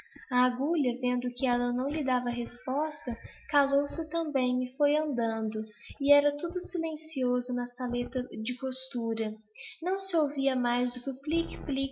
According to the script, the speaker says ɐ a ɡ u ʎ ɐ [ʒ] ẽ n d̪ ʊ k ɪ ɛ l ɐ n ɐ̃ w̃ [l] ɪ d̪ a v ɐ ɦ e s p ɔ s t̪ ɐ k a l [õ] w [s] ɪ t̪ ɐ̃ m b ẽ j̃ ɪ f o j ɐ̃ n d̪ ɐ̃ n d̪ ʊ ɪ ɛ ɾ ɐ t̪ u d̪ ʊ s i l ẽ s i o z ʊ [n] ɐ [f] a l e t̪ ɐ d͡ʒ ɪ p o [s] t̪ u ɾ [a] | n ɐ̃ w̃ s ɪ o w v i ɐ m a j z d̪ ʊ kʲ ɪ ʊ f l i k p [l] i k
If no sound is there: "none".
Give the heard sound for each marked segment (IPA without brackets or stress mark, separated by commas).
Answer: v, l, o, s, n, s, s, ɐ, l